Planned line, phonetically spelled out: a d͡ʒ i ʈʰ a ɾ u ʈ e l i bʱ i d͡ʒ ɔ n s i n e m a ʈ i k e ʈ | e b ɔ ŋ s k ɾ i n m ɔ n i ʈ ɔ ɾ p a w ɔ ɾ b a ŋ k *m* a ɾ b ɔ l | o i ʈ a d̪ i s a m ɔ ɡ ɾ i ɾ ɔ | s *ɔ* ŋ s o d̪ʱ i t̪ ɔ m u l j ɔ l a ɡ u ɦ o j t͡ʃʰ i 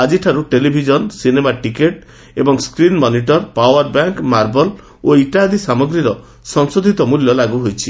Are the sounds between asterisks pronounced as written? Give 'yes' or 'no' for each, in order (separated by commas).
yes, yes